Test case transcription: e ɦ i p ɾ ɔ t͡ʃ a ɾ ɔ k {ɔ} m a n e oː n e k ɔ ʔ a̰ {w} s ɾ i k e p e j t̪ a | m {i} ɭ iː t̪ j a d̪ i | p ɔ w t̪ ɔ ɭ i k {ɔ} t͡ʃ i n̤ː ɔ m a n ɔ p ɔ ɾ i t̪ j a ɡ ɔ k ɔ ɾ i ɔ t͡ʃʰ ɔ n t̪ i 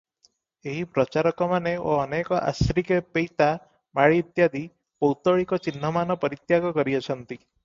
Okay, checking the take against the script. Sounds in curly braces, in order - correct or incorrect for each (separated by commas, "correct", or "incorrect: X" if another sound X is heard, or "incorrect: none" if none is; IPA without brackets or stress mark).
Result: correct, incorrect: none, incorrect: a, correct